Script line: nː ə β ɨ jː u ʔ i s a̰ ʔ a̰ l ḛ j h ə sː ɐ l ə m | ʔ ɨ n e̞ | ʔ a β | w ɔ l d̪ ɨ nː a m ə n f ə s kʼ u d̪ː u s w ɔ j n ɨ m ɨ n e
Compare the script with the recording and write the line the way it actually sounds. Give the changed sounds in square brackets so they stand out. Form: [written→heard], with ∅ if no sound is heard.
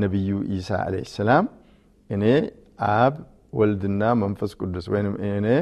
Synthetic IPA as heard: [nː→n] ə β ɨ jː u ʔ i s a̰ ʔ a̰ l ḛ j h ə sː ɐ l [ə→a] m | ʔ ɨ n e̞ | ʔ a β | w ɔ l d̪ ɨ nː a m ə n f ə s kʼ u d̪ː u s w ɔ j n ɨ m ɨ n e